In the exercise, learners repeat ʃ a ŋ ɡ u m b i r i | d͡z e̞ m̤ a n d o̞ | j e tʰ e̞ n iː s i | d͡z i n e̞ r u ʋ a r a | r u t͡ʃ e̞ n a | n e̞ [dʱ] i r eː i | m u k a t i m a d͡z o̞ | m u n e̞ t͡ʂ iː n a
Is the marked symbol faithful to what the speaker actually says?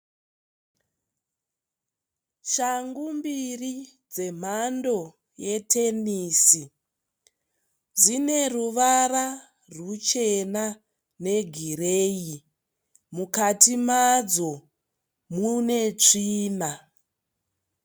no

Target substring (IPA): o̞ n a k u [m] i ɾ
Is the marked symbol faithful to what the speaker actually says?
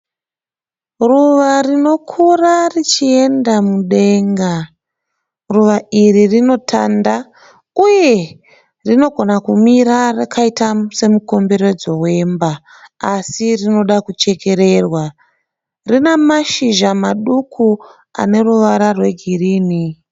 yes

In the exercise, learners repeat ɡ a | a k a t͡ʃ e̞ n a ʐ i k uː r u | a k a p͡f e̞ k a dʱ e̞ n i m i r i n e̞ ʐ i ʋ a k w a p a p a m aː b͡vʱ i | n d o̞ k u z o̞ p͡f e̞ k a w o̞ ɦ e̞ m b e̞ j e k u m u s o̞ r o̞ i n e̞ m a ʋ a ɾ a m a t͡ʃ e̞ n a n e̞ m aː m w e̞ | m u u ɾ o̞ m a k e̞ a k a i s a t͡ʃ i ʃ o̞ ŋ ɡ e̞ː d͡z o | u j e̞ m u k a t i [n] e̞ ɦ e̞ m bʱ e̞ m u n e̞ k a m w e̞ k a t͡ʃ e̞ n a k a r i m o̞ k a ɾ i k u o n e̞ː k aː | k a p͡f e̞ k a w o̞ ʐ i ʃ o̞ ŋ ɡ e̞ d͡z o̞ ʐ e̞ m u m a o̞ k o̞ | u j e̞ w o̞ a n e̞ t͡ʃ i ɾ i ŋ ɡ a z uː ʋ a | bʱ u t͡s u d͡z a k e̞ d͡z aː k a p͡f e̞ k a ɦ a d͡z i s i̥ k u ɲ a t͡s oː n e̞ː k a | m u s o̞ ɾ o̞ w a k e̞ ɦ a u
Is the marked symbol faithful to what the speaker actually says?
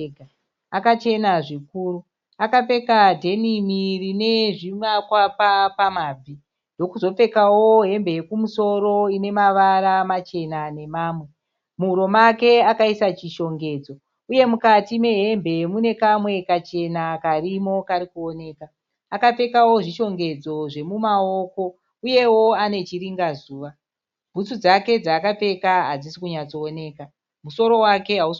no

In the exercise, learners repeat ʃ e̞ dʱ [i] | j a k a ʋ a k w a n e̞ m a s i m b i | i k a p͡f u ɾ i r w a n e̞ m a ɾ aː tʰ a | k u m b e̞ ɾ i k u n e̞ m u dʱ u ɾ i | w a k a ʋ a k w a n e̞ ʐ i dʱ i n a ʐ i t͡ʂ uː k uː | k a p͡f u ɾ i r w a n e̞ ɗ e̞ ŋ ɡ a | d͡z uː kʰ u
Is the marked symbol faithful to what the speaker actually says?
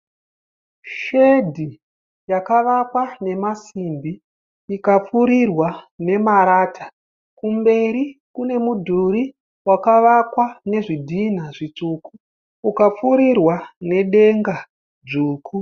yes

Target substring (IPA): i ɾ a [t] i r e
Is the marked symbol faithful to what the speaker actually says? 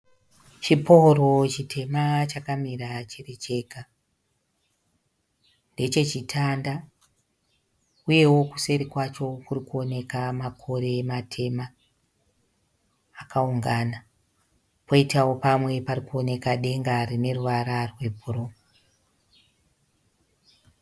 no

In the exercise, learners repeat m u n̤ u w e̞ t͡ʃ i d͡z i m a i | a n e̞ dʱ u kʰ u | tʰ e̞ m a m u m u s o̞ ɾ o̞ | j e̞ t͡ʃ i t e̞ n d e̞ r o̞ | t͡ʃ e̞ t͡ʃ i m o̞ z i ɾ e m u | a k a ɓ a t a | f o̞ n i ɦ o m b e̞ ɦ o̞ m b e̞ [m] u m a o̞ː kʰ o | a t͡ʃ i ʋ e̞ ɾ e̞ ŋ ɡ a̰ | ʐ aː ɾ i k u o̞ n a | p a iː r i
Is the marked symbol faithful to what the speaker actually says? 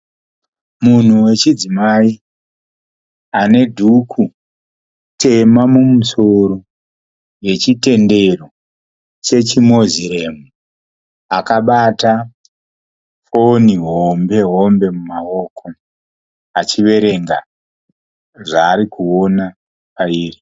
yes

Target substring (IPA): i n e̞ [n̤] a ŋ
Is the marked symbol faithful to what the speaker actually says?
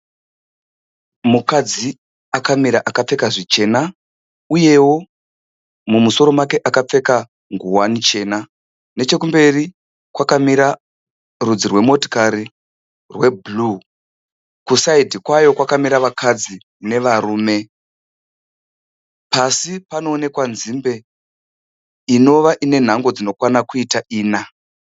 yes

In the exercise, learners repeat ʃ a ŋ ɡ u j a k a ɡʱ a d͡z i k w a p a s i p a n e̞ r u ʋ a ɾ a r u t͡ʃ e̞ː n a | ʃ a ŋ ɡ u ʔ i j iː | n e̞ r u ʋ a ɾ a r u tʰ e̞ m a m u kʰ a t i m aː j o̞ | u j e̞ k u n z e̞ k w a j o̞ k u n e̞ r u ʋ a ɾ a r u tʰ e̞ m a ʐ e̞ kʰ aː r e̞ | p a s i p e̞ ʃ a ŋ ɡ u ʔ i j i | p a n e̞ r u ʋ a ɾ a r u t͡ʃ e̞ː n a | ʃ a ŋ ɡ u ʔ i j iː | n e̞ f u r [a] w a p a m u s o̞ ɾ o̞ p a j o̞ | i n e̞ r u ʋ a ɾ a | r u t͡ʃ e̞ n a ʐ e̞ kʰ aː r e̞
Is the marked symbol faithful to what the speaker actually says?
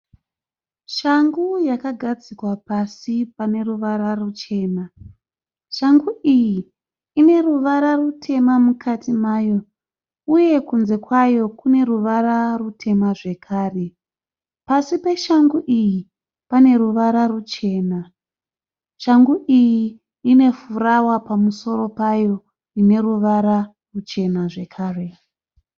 yes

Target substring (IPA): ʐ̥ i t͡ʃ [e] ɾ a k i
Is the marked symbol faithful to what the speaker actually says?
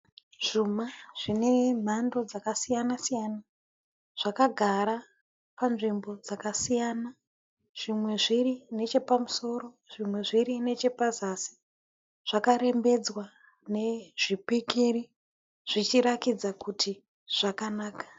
no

